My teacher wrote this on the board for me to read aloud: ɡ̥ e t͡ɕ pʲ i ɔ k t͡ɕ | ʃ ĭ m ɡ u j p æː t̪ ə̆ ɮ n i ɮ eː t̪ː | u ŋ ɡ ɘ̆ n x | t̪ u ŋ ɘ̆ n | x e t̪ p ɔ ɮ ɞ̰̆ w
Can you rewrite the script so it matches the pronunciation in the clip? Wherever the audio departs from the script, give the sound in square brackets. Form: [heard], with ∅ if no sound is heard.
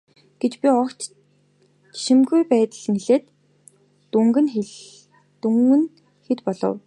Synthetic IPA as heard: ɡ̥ e t͡ɕ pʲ i ɔ k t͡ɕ | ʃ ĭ m ɡ u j p æː t̪ ə̆ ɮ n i ɮ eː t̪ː | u ŋ ɡ ɘ̆ n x | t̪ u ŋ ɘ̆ n | x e t̪ p ɔ ɮ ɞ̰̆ w